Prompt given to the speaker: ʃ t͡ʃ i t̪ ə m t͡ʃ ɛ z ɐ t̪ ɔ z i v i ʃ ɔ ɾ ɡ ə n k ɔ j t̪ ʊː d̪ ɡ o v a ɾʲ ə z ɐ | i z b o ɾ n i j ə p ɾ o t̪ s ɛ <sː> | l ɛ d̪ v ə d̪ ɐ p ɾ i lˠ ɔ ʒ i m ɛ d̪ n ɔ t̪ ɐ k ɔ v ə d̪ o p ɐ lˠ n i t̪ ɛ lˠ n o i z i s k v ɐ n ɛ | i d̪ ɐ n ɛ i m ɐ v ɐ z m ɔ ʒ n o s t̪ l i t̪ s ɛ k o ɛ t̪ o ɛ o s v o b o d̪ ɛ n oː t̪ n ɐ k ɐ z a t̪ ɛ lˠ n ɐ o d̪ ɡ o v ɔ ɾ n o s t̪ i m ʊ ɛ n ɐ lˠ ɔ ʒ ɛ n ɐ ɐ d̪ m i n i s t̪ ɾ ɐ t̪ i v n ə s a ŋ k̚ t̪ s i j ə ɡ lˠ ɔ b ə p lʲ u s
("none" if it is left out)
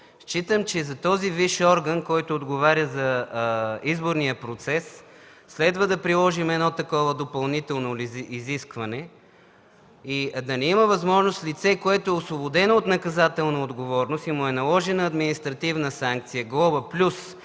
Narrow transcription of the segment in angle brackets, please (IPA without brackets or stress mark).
sː